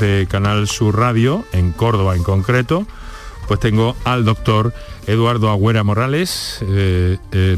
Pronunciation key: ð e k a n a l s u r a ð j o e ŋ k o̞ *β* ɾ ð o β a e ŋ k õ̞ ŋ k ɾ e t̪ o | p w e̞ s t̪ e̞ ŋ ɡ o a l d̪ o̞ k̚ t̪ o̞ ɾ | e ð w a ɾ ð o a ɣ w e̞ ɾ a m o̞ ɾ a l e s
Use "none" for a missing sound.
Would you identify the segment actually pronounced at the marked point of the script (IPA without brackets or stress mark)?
none